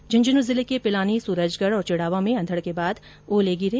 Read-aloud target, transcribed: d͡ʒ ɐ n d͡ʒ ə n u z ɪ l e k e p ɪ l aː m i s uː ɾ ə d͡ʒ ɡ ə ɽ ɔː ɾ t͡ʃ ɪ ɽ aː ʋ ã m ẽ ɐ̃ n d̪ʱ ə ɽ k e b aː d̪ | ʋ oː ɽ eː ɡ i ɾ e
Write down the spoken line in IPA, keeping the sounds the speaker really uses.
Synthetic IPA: d͡ʒ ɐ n d͡ʒ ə n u z ɪ l e k e p ɪ l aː n i s uː ɾ ə d͡ʒ ɡ ə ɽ ɔː ɾ t͡ʃ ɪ ɽ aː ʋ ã m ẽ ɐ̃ n d̪ʱ ə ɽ k e b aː d̪ | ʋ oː l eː ɡ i ɾ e